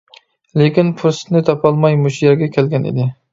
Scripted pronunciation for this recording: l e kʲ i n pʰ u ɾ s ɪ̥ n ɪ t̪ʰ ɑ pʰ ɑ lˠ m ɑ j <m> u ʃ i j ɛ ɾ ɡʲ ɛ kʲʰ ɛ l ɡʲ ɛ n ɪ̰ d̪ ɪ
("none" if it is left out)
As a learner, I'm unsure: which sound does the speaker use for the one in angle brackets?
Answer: m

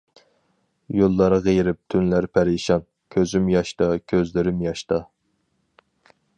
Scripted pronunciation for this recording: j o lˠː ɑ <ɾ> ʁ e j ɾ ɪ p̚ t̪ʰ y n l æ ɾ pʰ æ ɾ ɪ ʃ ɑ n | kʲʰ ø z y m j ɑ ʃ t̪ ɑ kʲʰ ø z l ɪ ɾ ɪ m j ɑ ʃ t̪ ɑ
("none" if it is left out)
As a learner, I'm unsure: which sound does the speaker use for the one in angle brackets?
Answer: ɾ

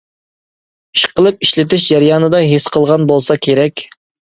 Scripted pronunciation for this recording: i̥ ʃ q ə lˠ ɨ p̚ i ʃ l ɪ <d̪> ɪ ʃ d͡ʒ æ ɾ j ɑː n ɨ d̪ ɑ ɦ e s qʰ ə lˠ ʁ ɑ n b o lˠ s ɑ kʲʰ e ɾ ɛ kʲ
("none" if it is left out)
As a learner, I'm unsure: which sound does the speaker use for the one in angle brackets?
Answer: t̪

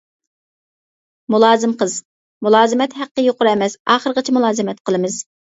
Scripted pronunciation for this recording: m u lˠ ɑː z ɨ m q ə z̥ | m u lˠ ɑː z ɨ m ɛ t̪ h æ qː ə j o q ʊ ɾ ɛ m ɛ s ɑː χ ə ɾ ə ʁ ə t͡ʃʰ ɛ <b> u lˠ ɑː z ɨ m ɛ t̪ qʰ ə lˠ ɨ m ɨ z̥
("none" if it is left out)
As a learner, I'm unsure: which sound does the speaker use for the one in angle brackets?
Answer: m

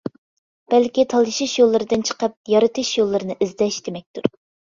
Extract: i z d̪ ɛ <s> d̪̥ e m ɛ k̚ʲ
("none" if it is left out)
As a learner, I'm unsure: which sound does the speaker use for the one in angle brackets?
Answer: ʃ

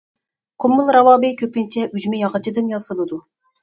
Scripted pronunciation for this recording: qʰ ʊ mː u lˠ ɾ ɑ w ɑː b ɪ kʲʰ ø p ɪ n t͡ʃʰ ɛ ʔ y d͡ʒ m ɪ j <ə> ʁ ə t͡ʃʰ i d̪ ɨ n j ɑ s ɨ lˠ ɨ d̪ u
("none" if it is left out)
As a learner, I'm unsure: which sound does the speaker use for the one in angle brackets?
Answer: ɑ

